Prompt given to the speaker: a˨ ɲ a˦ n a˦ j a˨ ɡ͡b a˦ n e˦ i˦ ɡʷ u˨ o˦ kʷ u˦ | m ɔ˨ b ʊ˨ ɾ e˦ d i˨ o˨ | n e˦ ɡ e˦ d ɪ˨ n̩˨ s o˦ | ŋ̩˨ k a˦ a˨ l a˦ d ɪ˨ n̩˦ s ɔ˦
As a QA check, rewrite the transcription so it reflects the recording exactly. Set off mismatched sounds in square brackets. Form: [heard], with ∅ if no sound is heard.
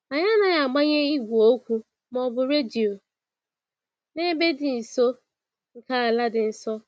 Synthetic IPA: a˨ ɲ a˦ n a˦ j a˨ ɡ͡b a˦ [ɲ] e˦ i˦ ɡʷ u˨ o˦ kʷ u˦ | m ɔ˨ b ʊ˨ ɾ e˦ d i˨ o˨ | n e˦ [b] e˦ d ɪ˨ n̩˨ s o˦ | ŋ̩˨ k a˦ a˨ l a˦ d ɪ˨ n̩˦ s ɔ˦